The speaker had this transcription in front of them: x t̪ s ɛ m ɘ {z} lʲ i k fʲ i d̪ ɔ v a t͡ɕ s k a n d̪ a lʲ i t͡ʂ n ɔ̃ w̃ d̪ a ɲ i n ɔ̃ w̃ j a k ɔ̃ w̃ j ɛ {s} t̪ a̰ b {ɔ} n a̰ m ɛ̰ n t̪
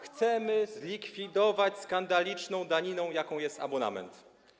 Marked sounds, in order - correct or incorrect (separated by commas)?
correct, correct, correct